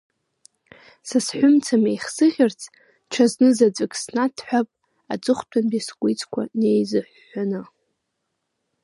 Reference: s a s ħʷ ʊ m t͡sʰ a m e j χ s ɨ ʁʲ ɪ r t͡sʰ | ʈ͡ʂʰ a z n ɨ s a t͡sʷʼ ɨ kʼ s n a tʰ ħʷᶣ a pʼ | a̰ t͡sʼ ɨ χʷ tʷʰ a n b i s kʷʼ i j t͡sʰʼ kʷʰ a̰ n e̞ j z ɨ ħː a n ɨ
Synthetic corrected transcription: s a s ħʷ ʊ m t͡sʰ a m e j χ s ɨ ʁʲ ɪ r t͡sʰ | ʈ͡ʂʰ a z n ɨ z a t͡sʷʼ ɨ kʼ s n a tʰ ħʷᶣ a pʼ | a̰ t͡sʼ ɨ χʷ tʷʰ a n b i s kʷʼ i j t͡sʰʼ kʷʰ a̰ n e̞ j z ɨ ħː a n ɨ